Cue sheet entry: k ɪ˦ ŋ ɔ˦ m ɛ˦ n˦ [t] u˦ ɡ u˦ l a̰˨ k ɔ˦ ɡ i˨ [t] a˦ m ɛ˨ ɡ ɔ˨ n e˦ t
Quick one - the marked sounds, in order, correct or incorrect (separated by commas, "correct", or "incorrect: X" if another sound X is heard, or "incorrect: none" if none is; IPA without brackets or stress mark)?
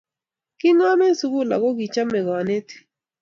incorrect: s, incorrect: t͡ʃ